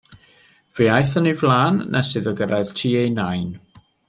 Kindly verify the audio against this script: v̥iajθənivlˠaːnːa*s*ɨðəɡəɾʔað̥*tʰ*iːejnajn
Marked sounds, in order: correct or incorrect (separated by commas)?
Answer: correct, correct